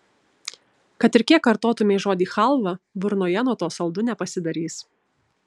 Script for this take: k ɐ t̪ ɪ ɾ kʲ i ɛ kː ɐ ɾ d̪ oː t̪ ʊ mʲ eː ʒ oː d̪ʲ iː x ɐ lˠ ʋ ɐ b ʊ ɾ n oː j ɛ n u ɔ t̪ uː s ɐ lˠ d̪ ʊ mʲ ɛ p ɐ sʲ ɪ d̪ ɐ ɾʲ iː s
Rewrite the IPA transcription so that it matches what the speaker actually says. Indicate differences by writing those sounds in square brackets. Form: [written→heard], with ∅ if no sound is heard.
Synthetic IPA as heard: k ɐ t̪ ɪ ɾ kʲ i ɛ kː ɐ ɾ [d̪→t̪] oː t̪ ʊ mʲ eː ʒ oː d̪ʲ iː x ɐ lˠ ʋ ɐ b ʊ ɾ n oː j ɛ n u ɔ t̪ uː s ɐ lˠ d̪ ʊ [mʲ→nʲ] ɛ p ɐ sʲ ɪ d̪ ɐ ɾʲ iː s